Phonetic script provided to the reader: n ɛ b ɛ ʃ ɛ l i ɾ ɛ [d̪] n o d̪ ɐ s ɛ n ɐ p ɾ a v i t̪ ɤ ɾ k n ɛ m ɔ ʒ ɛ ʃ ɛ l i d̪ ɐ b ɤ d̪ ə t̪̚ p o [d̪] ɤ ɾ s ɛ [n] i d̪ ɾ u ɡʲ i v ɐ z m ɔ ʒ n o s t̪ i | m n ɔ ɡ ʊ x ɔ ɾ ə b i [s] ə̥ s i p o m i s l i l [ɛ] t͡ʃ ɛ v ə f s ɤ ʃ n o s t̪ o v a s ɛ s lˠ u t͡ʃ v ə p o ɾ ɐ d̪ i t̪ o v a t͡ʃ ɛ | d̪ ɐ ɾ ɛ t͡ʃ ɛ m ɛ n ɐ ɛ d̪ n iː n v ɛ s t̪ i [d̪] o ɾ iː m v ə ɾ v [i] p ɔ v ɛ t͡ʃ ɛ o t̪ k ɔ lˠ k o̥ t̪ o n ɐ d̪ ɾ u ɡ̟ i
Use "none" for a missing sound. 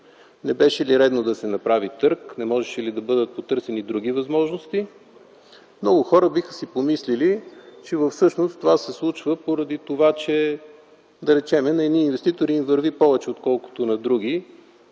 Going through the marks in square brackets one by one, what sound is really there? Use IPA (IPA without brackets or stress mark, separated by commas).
d̪, t̪, n, x, i, t̪, i